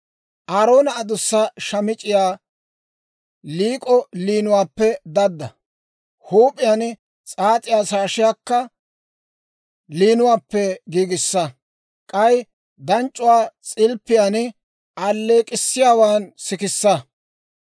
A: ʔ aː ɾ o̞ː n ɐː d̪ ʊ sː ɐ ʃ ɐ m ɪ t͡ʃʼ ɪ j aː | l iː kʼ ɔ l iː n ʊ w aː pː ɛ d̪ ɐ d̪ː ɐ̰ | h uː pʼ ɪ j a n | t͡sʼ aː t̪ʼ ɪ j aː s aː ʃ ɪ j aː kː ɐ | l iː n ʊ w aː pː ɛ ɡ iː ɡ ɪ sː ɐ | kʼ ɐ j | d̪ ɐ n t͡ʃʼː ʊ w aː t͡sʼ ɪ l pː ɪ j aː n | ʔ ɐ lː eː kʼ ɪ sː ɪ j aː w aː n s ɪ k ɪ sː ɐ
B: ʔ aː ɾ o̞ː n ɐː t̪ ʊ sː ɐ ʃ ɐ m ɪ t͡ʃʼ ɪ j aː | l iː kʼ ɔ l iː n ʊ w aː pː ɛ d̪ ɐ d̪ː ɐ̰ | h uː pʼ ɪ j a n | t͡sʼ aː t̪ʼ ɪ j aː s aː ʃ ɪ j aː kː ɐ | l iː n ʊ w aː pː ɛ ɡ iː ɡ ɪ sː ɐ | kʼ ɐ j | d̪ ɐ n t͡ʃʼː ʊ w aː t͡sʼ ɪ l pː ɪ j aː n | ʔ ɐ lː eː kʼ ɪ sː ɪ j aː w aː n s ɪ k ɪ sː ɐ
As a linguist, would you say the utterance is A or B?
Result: A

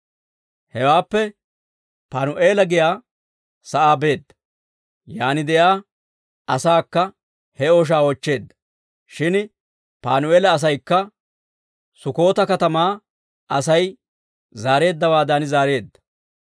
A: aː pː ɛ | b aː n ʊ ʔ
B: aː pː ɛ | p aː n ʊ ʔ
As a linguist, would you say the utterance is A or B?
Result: B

